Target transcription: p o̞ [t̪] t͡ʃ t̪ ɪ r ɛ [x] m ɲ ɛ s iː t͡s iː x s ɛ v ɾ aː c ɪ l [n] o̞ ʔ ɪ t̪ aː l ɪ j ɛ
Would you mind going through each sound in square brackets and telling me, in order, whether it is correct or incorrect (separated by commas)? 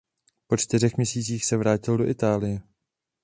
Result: incorrect, correct, incorrect